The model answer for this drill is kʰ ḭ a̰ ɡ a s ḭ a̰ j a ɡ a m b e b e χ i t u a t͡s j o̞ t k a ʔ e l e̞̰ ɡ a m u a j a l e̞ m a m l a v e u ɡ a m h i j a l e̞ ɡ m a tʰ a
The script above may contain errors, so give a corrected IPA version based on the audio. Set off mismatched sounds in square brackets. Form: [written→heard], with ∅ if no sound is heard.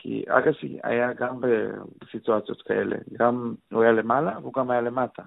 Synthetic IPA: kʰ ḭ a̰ ɡ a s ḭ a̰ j a ɡ a m b e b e [χ→s] i t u a t͡s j o̞ t k a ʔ e l e̞̰ ɡ a m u a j a l e̞ m a [m→∅] l a v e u ɡ a m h [i→a] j a l e̞ [ɡ→∅] m a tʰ a